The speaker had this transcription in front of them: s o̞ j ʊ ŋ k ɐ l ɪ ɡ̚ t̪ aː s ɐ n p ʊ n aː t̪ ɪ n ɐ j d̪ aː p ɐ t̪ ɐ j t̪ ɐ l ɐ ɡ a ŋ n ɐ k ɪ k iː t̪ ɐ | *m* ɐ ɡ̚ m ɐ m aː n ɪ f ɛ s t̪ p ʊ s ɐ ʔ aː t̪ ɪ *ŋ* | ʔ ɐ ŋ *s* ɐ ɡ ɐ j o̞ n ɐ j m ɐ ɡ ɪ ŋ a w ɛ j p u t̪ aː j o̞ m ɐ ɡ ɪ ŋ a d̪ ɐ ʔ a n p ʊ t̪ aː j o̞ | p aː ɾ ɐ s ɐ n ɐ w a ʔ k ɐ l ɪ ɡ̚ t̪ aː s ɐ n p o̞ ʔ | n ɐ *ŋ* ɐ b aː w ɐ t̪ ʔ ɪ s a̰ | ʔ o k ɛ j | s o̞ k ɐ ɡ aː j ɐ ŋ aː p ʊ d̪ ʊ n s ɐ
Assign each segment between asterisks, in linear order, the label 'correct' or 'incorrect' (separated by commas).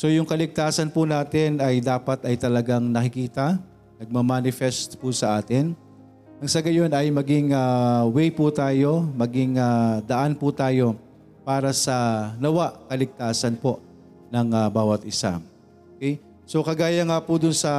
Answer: incorrect, incorrect, correct, correct